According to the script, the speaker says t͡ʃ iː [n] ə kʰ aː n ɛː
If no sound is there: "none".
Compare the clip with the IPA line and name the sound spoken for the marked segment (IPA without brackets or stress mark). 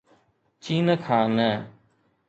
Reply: n